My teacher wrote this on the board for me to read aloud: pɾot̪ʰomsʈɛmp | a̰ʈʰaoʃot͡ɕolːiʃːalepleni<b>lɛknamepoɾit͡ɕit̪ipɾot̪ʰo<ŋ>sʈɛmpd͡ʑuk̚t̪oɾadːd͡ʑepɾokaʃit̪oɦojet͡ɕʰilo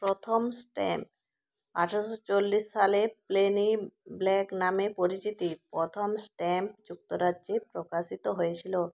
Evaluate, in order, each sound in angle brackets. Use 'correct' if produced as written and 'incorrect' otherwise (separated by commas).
correct, incorrect